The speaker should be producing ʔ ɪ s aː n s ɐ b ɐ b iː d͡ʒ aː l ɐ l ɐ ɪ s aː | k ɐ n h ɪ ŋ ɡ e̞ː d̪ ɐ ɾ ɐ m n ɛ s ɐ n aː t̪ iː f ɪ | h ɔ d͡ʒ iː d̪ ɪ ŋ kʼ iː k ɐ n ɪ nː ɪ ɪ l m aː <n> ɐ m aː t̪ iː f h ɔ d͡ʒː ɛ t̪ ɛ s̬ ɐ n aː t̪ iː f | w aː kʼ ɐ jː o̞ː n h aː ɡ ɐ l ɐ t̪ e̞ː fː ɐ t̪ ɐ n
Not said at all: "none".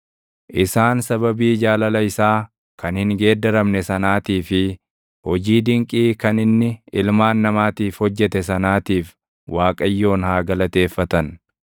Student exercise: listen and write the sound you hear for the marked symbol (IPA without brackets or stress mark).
nː